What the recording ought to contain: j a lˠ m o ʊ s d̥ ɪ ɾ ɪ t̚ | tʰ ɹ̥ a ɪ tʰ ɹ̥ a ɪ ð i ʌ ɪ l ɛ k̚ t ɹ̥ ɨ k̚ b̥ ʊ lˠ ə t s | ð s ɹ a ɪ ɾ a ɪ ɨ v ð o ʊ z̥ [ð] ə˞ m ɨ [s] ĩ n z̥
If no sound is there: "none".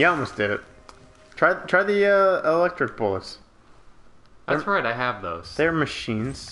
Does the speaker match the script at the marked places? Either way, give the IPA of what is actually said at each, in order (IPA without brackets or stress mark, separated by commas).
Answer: ð, ʃ